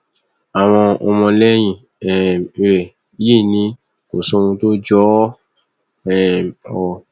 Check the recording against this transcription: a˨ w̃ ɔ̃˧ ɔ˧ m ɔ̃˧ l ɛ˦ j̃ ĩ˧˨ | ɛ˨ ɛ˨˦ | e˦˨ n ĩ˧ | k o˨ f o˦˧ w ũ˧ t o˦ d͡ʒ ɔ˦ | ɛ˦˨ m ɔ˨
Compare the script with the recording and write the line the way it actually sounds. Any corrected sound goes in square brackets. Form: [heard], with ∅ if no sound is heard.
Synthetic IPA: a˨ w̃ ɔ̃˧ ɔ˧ m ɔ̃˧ l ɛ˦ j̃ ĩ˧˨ | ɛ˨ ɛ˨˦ | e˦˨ n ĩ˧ | k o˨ [s] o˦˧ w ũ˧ t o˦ d͡ʒ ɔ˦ | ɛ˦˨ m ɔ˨